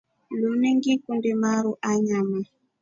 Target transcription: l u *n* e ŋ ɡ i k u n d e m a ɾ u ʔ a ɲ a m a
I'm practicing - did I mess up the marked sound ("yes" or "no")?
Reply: no